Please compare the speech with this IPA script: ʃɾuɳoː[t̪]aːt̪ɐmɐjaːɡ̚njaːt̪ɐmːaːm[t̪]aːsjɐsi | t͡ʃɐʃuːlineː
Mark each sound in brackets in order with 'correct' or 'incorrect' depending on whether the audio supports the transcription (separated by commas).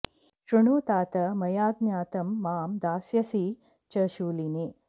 correct, incorrect